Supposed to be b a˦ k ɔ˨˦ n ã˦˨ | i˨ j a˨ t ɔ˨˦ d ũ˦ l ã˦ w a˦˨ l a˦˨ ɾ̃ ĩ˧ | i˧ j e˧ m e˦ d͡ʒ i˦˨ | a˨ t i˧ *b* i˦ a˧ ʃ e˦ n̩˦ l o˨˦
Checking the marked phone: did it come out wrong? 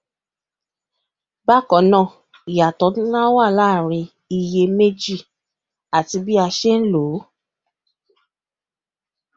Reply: no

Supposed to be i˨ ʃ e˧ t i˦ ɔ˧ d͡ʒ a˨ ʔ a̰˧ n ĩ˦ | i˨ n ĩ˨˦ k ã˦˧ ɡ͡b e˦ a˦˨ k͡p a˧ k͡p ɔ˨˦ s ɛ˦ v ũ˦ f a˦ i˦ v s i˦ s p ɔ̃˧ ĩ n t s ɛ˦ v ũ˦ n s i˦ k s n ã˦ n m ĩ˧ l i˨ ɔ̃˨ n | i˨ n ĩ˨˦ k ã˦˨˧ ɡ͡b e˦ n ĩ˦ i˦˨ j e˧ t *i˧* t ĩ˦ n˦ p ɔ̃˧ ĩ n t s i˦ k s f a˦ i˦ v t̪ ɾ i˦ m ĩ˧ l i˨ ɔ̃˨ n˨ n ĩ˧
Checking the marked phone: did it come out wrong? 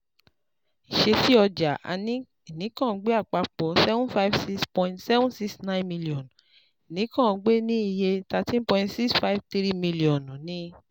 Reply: yes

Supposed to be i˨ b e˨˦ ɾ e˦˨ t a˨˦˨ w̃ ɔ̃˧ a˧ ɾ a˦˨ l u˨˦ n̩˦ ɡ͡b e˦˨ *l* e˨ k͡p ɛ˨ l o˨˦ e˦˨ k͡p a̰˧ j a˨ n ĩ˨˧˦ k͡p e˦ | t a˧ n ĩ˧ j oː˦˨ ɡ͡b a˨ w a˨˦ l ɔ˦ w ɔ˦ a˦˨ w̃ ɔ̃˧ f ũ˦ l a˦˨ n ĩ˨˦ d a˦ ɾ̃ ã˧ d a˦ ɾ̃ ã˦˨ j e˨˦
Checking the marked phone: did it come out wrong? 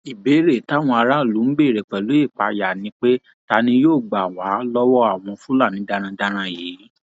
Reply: yes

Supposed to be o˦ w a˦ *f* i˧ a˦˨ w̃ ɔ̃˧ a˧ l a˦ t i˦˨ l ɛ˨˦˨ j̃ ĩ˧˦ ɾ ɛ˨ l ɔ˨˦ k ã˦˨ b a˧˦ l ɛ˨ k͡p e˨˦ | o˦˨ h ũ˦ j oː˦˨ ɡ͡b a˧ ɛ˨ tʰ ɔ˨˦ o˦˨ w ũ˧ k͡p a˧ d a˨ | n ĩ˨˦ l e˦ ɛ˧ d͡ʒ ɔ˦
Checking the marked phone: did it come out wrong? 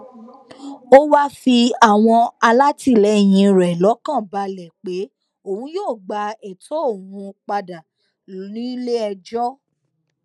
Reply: no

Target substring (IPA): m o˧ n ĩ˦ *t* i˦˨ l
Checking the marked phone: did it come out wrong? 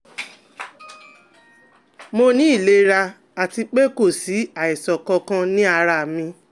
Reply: yes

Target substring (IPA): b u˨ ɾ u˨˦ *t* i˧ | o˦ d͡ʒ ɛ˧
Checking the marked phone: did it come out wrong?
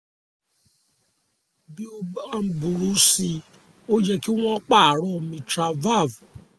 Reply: yes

